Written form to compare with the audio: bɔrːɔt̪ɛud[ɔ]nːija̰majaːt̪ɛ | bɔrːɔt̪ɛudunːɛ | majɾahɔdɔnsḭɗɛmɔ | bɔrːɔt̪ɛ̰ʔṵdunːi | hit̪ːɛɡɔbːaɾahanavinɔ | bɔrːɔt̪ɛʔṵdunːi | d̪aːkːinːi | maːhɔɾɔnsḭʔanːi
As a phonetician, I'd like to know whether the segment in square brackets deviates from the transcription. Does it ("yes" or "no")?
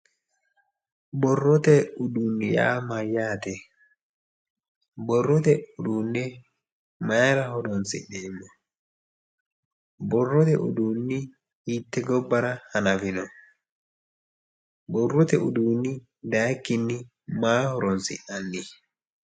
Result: yes